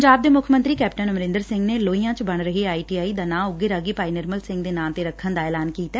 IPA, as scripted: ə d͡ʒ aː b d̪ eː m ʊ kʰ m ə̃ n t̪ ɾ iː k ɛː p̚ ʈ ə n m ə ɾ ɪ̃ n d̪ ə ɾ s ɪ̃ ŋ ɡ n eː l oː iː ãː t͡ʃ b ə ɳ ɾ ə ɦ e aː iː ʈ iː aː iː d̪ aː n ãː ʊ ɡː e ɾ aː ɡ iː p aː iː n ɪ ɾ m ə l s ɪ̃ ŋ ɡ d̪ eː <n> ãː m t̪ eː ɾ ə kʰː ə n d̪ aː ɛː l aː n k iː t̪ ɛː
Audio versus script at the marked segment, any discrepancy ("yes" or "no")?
no